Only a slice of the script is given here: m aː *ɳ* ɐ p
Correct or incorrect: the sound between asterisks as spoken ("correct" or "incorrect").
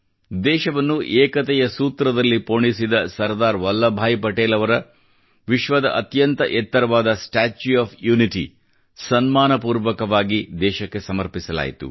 incorrect